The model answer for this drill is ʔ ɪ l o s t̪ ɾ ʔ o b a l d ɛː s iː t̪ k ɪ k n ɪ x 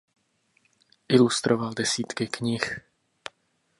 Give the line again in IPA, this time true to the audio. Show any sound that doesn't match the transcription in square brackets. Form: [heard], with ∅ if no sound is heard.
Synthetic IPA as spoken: ʔ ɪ l [u] s t̪ ɾ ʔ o [v] a l d [ɛ] s iː t̪ k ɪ k [ɲ] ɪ x